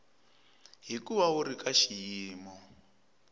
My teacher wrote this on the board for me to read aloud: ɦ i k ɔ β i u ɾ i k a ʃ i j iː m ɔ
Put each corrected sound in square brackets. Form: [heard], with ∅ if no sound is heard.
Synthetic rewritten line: ɦ i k [u] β [a] u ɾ i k a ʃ i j iː m ɔ